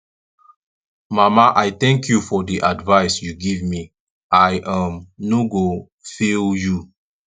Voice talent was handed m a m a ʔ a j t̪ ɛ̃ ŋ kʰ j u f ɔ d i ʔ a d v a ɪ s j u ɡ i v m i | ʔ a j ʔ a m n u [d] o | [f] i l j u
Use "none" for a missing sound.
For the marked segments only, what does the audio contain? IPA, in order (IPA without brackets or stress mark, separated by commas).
ɡ, f